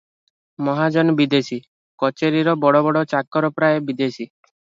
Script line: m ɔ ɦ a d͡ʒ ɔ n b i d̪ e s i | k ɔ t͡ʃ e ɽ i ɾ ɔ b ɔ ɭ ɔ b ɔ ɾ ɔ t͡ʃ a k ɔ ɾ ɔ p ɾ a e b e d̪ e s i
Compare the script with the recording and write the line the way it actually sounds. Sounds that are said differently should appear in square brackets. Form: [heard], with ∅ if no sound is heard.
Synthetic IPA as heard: m ɔ ɦ a d͡ʒ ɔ n b i d̪ e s i | k ɔ t͡ʃ e [ɾ] i ɾ ɔ b ɔ [ɽ] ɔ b ɔ [ɽ] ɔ t͡ʃ a k ɔ ɾ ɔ p ɾ a e b [i] d̪ e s i